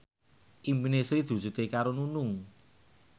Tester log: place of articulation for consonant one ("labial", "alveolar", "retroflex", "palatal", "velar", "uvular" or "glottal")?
glottal